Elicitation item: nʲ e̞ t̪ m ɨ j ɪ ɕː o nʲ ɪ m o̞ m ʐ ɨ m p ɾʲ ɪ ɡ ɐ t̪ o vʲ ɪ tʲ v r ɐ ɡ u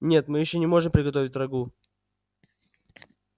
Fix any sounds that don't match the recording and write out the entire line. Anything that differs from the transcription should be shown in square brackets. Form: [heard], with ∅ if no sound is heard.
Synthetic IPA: nʲ e̞ t̪ m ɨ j ɪ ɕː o nʲ ɪ m o̞ [∅] ʐ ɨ m p ɾʲ ɪ ɡ ɐ t̪ o vʲ ɪ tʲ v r ɐ ɡ u

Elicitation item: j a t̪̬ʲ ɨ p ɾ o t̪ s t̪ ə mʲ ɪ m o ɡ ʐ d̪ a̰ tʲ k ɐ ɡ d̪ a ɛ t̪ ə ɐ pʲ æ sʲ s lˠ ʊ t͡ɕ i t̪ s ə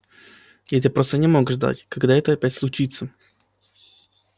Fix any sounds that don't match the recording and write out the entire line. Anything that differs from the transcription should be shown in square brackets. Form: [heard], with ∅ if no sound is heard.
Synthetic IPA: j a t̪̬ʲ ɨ p ɾ o [∅] s t̪ ə [nʲ] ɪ m o ɡ ʐ d̪ a̰ tʲ k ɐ ɡ d̪ a ɛ t̪ ə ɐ pʲ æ [tʲ] s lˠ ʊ t͡ɕ i t̪ s ə

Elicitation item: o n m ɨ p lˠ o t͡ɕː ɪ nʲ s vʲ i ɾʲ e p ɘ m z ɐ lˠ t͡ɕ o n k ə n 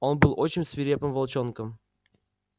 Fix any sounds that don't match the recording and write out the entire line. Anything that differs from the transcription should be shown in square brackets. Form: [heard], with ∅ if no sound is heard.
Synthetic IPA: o n [b] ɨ [∅] lˠ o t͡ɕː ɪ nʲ s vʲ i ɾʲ e p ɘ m [v] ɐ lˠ t͡ɕ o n k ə [m]

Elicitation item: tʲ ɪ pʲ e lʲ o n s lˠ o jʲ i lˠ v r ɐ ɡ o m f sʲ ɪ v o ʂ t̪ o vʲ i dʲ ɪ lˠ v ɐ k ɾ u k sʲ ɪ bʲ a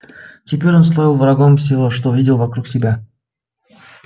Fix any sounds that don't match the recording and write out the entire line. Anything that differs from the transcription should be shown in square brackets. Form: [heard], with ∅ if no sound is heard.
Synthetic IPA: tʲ ɪ pʲ e [ɾʲ] o n s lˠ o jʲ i lˠ v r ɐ ɡ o m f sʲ ɪ v o ʂ t̪ o vʲ i dʲ ɪ lˠ v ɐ k ɾ u k sʲ ɪ bʲ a

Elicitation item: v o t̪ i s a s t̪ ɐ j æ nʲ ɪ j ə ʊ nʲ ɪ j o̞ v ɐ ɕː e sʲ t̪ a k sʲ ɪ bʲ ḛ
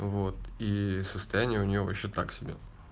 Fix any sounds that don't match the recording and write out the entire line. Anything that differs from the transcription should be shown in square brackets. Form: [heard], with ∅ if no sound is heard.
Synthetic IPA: v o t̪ i s [ə] s t̪ ɐ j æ nʲ ɪ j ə ʊ nʲ ɪ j o̞ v ɐ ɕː e [∅] t̪ a k sʲ ɪ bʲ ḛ

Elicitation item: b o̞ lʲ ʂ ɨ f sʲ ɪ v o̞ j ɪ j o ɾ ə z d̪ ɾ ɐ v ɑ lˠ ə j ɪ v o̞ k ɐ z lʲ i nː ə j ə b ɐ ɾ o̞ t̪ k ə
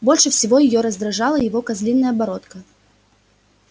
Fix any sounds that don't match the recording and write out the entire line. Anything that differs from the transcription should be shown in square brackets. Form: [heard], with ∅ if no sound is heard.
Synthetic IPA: b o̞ lʲ ʂ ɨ f sʲ ɪ v o̞ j ɪ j o ɾ ə z d̪ ɾ ɐ [ʐ] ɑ lˠ ə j ɪ v o̞ k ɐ z lʲ i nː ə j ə b ɐ ɾ o̞ t̪ k ə

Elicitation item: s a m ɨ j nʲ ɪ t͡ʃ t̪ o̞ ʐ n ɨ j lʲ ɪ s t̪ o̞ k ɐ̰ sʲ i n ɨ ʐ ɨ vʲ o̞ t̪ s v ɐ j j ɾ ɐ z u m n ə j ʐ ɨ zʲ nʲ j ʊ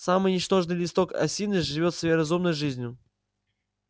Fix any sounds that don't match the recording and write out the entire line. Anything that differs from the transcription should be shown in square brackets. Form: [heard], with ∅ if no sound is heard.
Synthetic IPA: s a m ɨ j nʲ ɪ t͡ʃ t̪ o̞ ʐ n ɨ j lʲ ɪ s t̪ o̞ k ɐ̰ sʲ i n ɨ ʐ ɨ vʲ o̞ t̪ s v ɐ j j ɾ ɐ z u m n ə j ʐ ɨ zʲ nʲ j ʊ

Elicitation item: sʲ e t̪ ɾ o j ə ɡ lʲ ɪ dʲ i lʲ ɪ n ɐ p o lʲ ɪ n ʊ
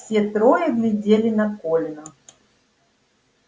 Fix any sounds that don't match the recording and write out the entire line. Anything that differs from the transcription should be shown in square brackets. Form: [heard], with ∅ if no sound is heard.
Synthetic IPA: sʲ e t̪ ɾ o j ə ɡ lʲ ɪ dʲ [e] lʲ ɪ n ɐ [k] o lʲ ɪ n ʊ

